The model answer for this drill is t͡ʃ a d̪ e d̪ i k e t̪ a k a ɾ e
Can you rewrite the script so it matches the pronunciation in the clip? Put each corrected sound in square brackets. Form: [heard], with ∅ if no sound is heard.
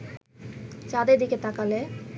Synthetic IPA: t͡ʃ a d̪ e d̪ i k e t̪ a k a [l] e